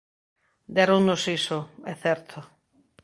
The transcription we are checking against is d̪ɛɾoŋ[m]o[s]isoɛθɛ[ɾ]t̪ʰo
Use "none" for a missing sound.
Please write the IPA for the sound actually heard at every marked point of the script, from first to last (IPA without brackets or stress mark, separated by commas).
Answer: n, s, ɾ